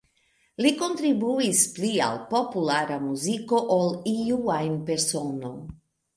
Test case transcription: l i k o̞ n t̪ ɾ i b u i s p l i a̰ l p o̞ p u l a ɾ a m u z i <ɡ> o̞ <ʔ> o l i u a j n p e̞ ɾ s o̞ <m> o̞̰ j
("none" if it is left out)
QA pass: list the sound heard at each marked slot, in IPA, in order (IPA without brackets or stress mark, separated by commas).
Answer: k, ʔ, n